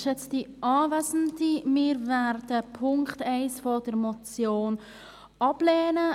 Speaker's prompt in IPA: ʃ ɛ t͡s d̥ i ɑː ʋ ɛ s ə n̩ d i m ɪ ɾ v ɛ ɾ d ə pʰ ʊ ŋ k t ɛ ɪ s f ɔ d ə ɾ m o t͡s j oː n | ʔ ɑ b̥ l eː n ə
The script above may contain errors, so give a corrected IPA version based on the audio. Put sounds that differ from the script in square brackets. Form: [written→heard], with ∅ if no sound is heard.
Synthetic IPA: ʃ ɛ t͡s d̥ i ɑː [ʋ→v] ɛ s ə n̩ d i m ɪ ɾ v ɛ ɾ d ə pʰ ʊ ŋ k t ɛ ɪ s f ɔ d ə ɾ m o t͡s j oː n | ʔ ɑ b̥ l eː n ə